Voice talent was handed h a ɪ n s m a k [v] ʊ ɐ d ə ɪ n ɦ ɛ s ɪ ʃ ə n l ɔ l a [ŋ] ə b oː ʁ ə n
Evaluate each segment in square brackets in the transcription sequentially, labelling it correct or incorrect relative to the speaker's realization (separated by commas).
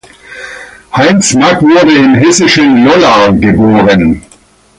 correct, incorrect